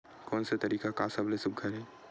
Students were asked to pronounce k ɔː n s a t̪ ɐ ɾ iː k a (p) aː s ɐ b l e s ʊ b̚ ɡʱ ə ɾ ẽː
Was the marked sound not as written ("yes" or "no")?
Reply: yes